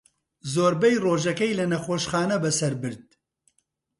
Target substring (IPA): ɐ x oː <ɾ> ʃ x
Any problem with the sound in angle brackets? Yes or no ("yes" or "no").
yes